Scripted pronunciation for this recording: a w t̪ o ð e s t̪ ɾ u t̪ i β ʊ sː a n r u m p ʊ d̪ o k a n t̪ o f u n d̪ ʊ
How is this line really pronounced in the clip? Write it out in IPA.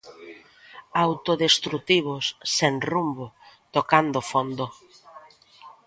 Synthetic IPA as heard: a w t̪ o ð e s t̪ ɾ u t̪ i β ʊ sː e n r u m b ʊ t̪ o k a n d̪ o f o n d̪ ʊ